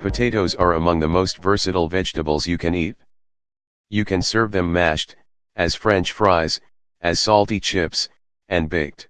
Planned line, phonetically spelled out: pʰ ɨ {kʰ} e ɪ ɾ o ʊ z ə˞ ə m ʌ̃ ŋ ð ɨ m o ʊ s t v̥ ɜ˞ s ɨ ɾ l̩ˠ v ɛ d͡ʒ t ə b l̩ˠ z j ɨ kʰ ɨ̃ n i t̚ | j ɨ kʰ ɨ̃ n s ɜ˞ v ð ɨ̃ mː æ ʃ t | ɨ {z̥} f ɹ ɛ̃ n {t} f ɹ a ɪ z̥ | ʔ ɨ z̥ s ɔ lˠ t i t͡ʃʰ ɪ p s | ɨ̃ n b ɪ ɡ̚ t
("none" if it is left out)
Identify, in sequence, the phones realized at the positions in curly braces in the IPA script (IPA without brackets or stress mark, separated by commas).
tʰ, z̥, t͡ʃ